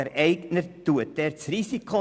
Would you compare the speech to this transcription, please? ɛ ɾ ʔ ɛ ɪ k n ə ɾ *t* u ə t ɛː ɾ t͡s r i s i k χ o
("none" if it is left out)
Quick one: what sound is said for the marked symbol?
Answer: t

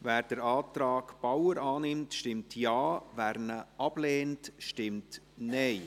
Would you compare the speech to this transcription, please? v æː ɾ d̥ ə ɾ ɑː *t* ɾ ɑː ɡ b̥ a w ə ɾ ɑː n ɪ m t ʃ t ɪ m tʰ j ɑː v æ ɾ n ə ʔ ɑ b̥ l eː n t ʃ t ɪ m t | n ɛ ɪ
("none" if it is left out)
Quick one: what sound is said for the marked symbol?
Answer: t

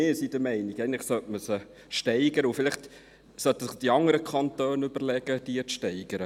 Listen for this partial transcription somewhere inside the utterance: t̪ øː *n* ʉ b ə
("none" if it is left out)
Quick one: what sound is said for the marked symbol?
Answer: n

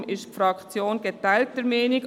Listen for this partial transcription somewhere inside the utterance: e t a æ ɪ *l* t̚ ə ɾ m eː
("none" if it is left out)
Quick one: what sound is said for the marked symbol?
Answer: l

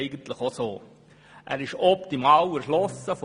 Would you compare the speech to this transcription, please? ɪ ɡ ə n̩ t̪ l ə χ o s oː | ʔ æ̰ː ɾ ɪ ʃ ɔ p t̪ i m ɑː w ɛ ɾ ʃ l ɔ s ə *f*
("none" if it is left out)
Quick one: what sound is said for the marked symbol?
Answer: f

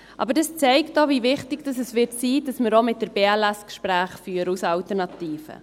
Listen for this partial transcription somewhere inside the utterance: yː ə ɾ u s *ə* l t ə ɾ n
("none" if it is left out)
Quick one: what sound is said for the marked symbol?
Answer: ɑ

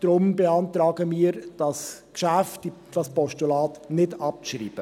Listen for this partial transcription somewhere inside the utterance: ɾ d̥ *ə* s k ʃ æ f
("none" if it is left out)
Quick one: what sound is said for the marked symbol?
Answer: ɑ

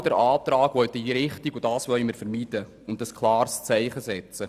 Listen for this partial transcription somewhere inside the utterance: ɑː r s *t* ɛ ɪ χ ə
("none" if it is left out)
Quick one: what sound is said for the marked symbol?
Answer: t͡s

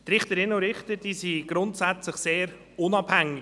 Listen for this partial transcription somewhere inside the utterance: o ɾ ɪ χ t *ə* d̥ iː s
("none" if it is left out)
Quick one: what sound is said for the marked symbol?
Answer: ə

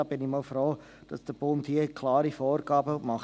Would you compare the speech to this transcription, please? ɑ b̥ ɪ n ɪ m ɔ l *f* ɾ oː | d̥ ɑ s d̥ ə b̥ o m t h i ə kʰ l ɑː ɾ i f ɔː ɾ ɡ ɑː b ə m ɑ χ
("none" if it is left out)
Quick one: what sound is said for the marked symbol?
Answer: f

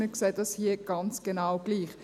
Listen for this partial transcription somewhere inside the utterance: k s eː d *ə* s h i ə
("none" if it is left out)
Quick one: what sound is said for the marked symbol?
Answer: ɑ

